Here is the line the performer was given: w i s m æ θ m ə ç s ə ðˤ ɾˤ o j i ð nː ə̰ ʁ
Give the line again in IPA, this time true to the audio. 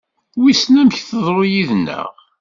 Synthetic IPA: w i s n æ m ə ç θ ə ðˤ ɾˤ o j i ð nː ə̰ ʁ